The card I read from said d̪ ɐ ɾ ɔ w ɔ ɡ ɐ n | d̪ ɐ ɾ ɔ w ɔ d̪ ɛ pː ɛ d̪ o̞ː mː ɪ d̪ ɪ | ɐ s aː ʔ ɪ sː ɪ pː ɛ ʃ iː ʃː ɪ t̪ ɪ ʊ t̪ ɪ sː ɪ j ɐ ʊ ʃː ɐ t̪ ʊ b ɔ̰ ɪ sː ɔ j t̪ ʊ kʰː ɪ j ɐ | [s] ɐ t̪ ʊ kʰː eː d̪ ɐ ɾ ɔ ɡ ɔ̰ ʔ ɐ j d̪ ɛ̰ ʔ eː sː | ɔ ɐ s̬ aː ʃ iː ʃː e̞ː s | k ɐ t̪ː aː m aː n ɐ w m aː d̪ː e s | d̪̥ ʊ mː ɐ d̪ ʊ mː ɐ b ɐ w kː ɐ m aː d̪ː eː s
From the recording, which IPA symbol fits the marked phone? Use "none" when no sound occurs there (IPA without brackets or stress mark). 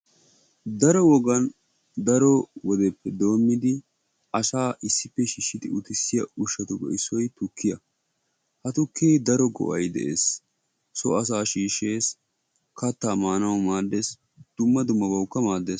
h